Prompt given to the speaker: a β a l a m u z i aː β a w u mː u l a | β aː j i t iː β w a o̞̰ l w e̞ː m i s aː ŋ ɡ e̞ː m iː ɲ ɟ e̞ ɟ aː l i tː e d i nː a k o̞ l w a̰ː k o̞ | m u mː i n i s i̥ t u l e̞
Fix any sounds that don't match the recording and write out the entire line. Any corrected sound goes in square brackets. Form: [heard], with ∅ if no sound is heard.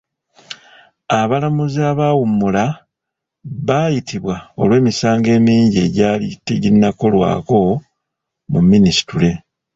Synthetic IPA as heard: a β a l a m u z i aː β a w u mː u l a | β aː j i t [i] β w a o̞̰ l w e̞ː m i s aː ŋ ɡ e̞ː m iː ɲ ɟ e̞ ɟ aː l i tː e [ɟ] i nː a k o̞ l w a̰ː k o̞ | m u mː i n i s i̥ t u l e̞